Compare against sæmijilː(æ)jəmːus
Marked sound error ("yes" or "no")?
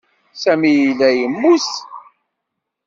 no